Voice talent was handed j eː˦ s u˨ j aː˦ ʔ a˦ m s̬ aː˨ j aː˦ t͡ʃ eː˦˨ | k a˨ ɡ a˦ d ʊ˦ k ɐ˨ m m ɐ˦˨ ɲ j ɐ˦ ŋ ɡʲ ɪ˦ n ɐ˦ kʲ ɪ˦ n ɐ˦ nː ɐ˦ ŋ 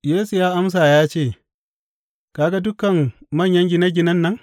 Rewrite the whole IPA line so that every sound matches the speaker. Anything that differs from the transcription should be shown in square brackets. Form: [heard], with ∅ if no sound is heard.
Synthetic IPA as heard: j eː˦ s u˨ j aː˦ ʔ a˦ m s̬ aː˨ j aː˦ t͡ʃ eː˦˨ | k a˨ ɡ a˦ d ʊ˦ k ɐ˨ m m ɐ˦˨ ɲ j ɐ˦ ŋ ɡʲ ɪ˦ n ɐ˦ [ɡʲ] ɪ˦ n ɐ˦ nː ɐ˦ ŋ